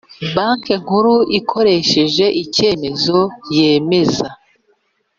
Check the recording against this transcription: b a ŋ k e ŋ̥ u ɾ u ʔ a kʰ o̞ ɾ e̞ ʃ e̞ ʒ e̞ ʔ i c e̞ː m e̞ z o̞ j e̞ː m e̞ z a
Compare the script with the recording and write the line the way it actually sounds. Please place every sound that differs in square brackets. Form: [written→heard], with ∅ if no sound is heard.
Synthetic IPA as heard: b a ŋ k e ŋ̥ u ɾ u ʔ [a→i] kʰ o̞ ɾ e̞ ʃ e̞ ʒ e̞ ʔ i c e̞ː m e̞ z o̞ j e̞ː m e̞ z a